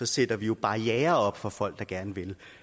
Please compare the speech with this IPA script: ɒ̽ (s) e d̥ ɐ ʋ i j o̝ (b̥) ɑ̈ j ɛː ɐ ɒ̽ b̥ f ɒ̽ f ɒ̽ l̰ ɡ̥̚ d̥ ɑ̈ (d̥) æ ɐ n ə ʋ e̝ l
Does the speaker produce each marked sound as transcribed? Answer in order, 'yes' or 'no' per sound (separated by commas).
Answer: yes, yes, no